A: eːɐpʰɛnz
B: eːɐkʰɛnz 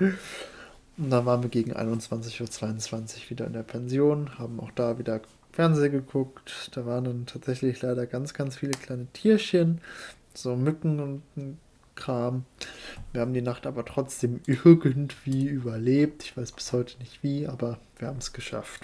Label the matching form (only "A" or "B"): A